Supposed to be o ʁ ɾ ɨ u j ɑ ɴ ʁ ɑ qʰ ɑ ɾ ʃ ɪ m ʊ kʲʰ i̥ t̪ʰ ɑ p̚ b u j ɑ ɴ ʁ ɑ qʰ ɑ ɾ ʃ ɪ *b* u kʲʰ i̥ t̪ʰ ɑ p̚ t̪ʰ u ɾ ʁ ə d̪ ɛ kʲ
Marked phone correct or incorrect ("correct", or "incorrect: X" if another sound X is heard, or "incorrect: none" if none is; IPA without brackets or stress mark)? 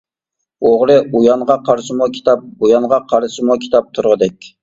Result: incorrect: m